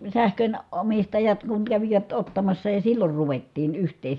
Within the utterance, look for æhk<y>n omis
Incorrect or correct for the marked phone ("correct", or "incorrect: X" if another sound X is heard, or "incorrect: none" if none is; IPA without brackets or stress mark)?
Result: incorrect: ø